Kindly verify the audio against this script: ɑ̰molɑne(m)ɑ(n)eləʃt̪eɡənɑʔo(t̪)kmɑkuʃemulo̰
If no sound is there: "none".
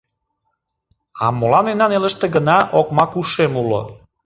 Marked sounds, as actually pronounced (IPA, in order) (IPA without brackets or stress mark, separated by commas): n, n, none